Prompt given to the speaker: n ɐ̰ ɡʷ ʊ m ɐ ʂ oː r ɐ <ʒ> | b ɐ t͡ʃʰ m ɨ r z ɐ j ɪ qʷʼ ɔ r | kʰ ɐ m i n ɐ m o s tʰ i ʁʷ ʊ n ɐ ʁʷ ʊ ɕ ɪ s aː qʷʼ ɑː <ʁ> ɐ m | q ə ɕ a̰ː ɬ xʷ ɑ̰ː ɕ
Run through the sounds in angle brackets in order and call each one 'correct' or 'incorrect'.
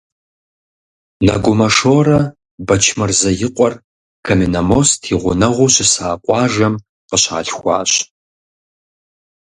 incorrect, incorrect

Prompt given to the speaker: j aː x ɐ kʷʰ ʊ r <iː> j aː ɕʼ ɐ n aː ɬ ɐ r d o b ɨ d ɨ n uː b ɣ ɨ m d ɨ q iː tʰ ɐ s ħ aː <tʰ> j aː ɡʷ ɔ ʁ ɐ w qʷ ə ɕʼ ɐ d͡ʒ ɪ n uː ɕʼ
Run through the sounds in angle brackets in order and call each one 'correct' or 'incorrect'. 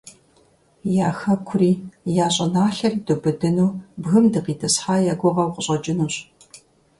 correct, incorrect

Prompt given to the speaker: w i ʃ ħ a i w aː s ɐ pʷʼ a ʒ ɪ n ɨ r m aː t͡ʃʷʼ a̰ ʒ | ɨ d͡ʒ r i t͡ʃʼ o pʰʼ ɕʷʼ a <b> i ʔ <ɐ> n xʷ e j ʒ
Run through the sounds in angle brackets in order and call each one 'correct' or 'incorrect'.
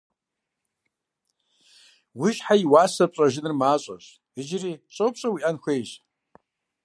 incorrect, incorrect

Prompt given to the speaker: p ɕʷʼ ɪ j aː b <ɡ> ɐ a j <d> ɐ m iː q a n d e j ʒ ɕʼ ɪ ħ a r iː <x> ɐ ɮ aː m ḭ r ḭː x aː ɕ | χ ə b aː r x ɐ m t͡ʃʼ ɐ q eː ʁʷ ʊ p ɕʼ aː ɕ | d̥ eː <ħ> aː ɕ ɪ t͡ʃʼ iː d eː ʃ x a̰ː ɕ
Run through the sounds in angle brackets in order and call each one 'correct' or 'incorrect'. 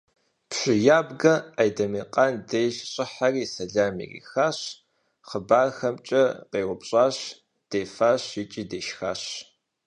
correct, correct, incorrect, incorrect

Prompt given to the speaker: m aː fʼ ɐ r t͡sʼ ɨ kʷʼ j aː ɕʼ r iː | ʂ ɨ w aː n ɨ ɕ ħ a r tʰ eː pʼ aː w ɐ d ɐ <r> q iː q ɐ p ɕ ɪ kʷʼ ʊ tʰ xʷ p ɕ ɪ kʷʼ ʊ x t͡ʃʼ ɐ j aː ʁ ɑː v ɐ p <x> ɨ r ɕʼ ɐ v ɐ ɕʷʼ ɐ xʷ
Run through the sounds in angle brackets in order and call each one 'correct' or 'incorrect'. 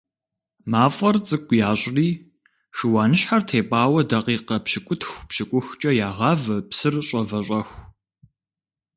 incorrect, incorrect

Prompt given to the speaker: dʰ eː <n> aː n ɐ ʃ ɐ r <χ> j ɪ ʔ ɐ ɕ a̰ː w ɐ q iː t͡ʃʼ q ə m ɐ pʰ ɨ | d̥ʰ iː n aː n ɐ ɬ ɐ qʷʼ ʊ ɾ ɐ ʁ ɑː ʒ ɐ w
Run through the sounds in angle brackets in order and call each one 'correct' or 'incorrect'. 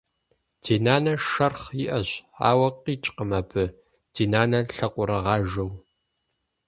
correct, correct

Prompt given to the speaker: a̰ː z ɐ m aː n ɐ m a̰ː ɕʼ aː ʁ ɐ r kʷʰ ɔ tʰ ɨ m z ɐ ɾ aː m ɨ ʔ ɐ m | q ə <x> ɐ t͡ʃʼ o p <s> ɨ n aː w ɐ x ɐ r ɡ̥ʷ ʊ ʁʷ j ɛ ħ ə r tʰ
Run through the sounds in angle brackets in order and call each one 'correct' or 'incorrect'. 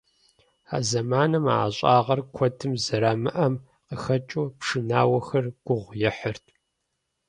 correct, incorrect

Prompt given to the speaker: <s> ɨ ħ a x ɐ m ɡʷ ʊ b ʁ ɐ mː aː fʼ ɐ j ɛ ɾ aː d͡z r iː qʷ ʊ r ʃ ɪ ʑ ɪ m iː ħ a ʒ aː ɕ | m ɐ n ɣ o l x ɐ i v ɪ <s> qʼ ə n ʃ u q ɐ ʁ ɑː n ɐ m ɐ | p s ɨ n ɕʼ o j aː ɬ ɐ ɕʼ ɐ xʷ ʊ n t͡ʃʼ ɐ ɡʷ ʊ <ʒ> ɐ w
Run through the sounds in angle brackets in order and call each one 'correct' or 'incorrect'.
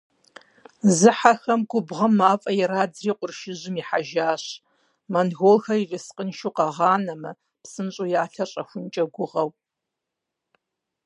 incorrect, correct, incorrect

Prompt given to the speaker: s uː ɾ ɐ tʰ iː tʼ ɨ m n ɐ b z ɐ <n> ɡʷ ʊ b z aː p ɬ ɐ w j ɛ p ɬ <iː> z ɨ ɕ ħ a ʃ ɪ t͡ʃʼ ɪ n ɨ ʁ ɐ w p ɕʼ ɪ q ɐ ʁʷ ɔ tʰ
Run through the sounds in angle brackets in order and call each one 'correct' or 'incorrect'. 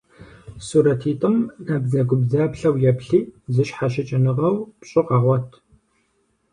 incorrect, correct

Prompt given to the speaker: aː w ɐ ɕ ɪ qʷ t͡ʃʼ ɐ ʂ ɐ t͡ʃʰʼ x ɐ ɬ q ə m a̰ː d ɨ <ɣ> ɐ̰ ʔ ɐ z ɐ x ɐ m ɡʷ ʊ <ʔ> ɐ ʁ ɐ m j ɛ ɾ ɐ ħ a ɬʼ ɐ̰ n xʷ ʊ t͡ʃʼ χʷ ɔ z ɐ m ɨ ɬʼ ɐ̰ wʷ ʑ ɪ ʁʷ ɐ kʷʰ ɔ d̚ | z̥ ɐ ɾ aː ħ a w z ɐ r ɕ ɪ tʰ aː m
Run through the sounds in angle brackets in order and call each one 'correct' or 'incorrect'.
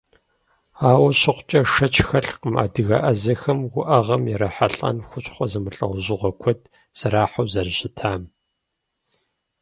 correct, correct

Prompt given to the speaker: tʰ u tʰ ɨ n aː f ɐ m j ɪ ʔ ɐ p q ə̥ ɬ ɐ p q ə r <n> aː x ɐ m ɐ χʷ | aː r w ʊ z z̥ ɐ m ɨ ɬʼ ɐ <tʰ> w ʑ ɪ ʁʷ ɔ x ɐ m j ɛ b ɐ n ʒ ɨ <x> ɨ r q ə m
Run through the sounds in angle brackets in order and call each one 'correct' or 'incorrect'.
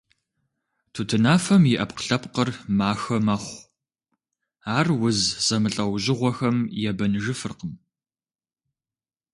incorrect, incorrect, incorrect

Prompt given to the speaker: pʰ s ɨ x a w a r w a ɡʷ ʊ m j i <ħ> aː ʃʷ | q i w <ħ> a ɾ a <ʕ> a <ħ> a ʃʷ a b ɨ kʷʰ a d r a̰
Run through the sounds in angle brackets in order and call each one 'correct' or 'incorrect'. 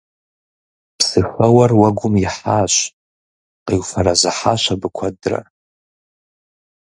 correct, incorrect, incorrect, correct

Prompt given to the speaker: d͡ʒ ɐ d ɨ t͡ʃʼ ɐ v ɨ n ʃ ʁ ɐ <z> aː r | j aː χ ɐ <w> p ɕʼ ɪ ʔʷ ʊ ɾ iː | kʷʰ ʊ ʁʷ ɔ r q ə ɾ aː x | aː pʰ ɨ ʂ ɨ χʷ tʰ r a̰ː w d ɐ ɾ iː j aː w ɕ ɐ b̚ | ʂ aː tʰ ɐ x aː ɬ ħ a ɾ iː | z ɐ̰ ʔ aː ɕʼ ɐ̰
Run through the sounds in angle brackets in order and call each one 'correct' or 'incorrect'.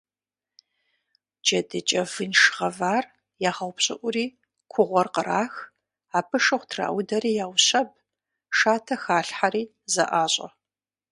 incorrect, correct

